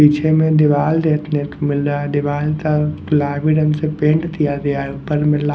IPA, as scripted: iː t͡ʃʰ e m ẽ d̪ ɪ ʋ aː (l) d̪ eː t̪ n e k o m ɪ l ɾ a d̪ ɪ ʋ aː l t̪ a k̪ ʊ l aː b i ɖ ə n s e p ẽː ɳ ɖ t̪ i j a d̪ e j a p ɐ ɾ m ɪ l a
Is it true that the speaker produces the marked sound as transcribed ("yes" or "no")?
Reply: yes